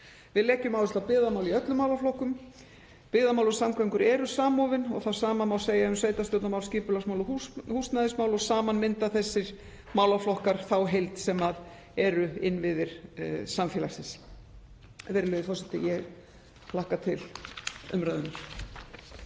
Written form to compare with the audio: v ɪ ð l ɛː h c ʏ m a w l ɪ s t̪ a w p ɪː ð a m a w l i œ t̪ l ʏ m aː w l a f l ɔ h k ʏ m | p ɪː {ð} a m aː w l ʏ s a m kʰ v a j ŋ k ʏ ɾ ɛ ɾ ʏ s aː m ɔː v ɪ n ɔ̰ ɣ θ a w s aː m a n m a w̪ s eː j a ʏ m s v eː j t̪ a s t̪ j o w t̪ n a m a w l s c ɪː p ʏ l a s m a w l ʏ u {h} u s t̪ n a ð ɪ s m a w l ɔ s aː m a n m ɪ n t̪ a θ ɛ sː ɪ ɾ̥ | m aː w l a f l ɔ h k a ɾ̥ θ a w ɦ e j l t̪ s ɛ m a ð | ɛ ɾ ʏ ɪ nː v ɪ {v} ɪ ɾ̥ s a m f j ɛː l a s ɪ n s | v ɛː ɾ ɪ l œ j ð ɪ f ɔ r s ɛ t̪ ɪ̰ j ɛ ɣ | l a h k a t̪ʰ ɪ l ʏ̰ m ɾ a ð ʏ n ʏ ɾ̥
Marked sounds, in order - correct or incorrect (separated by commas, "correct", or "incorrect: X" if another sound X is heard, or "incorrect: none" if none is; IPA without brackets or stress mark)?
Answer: correct, correct, incorrect: ð